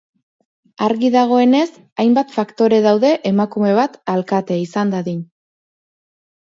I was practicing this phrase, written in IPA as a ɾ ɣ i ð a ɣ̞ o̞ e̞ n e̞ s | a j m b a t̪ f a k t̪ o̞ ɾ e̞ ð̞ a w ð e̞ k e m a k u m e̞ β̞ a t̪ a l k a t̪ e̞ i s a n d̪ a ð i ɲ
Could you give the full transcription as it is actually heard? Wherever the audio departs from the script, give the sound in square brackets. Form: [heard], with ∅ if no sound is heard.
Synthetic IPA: a ɾ ɣ i ð a ɣ̞ o̞ e̞ n e̞ s | a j m b a t̪ f a k t̪ o̞ ɾ e̞ ð̞ a w ð e̞ [ʔ] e m a k u m e̞ β̞ a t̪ a l k a t̪ e̞ i s a n d̪ a ð i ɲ